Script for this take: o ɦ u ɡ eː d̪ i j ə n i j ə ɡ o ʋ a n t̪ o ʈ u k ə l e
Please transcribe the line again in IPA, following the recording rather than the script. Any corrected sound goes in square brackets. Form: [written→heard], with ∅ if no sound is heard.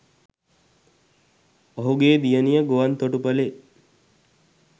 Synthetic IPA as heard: o ɦ u ɡ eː d̪ i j ə n i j ə ɡ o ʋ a n t̪ o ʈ u [k→p] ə l e